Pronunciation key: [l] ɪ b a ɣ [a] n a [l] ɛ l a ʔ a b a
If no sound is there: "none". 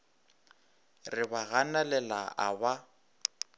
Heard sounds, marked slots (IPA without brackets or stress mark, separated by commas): r, a, l